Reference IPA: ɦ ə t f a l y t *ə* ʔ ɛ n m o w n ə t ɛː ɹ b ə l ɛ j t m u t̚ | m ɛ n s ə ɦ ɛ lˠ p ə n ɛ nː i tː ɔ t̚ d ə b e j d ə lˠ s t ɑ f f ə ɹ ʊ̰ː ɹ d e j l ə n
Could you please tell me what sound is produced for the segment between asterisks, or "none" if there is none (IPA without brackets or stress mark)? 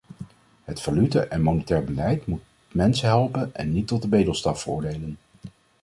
ə